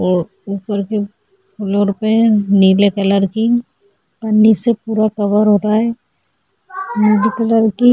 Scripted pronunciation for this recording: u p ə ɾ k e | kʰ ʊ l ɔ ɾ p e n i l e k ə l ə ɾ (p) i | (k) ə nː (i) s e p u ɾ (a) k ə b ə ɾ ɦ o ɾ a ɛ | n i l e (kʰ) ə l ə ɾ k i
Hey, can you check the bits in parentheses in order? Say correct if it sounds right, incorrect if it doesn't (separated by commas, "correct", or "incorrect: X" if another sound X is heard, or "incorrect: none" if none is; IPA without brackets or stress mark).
incorrect: k, incorrect: p, correct, correct, incorrect: k